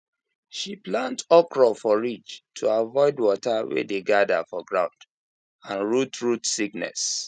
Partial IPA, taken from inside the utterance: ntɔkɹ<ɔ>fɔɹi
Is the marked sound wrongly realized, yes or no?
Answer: no